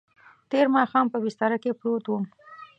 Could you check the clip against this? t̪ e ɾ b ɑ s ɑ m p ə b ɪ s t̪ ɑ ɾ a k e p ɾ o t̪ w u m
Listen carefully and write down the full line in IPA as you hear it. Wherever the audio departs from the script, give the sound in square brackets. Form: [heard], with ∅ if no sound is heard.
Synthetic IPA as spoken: t̪ e ɾ [m] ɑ [x] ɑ m p ə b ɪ s t̪ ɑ ɾ a k e p ɾ o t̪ w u m